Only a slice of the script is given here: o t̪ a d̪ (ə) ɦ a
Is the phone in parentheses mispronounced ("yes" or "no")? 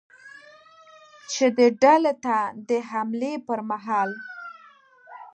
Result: no